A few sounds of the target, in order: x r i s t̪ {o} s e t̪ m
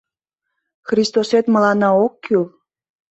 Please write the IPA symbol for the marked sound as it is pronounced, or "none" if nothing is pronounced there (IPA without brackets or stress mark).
o